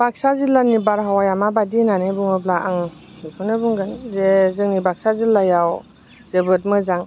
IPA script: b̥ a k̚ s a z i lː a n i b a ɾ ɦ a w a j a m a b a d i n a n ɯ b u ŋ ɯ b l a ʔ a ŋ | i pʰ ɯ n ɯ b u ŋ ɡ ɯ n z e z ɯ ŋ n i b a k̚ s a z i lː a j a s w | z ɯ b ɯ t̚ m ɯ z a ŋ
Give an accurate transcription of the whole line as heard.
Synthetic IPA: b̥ a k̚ s a z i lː a n i b a ɾ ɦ a w a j a m a b a d i n a n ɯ b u ŋ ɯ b l a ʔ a ŋ | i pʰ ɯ n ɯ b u ŋ ɡ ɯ n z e z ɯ ŋ n i b a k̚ s a z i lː a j a w | z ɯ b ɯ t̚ m ɯ z a ŋ